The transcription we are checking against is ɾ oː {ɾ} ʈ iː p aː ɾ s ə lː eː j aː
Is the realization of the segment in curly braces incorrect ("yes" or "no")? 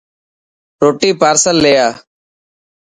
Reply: yes